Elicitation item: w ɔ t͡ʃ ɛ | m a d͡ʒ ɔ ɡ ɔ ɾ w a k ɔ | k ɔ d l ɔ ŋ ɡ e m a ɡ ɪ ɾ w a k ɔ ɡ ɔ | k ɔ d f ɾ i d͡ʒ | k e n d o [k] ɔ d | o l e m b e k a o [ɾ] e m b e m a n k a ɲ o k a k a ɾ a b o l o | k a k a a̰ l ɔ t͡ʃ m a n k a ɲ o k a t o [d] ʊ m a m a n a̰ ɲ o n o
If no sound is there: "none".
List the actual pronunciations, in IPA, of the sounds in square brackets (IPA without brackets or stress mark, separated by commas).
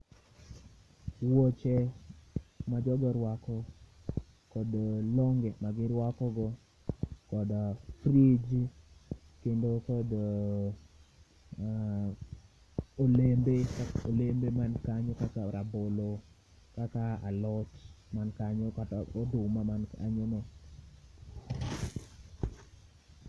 k, l, d